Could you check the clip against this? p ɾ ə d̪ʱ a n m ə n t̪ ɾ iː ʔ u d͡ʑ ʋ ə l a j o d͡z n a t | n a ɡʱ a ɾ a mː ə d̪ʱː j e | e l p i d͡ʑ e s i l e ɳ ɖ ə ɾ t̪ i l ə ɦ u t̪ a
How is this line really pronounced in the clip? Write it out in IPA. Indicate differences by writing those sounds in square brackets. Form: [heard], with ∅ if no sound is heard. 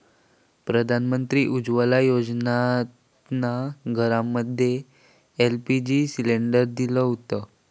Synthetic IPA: p ɾ ə d̪ʱ a n m ə n t̪ ɾ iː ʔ u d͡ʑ ʋ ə l a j o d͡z n a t | n a ɡʱ [ə] ɾ a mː ə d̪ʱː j e | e l p i d͡ʑ [i] s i l e ɳ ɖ ə ɾ [d̪] i l ə ɦ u t̪ [ə]

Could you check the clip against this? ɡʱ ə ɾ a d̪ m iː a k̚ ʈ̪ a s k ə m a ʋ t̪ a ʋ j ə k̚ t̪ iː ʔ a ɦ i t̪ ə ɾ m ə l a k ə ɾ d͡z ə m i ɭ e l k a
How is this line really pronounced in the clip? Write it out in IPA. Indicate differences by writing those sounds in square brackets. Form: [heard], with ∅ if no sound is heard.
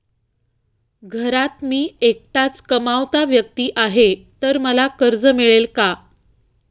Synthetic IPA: ɡʱ ə ɾ a [t̪] m iː [e] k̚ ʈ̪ a [t͡s] k ə m a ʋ t̪ a ʋ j ə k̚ t̪ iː ʔ a ɦ [e] t̪ ə ɾ m ə l a k ə ɾ d͡z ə m i ɭ e l k a

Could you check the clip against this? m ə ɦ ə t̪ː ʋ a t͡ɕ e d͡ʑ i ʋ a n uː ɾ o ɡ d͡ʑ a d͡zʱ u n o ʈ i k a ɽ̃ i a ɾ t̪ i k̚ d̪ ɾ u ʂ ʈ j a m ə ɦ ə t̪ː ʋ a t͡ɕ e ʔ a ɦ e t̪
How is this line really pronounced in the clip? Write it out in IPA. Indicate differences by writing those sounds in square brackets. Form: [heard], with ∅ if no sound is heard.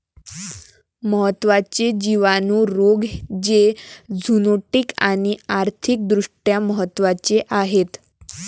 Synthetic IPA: m ə ɦ ə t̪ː ʋ a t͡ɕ e d͡ʑ i ʋ a n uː ɾ o ɡ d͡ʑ [e] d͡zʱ u n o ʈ i k a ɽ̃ i a ɾ [t̪ʰ] i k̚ d̪ ɾ u ʂ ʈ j a m ə ɦ ə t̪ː ʋ a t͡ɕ e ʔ a ɦ e t̪

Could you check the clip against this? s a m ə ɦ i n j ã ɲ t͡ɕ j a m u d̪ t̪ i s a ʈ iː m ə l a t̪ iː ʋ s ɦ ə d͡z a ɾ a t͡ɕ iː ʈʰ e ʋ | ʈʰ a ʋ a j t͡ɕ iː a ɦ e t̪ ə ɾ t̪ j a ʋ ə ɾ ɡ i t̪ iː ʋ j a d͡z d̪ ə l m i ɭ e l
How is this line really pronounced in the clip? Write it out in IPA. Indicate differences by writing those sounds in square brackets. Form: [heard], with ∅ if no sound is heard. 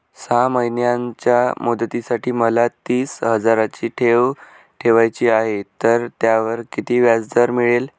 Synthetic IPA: s a m ə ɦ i n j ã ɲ t͡ɕ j a m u d̪ t̪ i s a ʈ iː m ə l a t̪ iː [∅] s ɦ ə d͡z a ɾ a t͡ɕ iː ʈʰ e ʋ | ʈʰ [e] ʋ a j t͡ɕ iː a ɦ e t̪ ə ɾ t̪ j a ʋ ə ɾ [k] i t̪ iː ʋ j a d͡z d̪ ə [ɾ] m i ɭ e l

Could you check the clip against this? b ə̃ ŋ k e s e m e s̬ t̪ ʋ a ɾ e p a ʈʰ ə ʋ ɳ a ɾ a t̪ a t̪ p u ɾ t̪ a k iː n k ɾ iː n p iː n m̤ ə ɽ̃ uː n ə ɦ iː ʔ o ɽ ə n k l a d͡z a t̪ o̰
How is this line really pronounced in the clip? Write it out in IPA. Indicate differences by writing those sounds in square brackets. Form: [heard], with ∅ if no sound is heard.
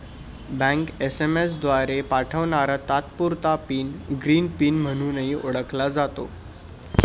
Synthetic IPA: b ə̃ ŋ k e s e m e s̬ [d̪] ʋ a ɾ e p a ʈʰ ə ʋ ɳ a ɾ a t̪ a t̪ p u ɾ t̪ a [p] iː n [ɡ] ɾ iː n p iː n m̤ ə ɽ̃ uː n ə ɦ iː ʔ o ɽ ə [∅] k l a d͡z a t̪ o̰

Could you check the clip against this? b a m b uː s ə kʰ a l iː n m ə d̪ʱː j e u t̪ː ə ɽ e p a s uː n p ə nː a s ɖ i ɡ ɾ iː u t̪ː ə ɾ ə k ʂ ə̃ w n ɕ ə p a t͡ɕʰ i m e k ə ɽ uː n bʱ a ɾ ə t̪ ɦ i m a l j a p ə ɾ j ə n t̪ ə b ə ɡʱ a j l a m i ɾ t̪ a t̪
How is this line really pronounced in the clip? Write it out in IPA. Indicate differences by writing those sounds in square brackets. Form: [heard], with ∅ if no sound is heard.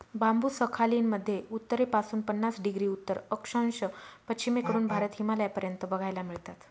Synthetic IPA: b a m b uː s ə kʰ a l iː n m ə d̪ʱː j e u t̪ː ə [ɾ] e p a s uː n p ə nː a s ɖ i ɡ ɾ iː u t̪ː ə ɾ ə k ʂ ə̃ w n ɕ ə p [ə] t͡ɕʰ i m e k ə [ɾ] uː n bʱ a ɾ ə t̪ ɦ i m a l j a p ə ɾ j ə n t̪ ə b ə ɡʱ a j l a m i [ɭ] t̪ a t̪

